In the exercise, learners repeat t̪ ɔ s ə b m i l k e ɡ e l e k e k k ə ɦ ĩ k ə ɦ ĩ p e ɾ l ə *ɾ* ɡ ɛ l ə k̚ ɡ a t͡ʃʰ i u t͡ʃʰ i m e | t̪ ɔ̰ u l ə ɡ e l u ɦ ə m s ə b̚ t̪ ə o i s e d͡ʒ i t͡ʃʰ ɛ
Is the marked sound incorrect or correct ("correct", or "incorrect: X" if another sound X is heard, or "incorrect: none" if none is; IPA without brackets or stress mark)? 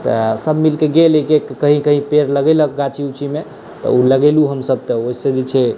incorrect: none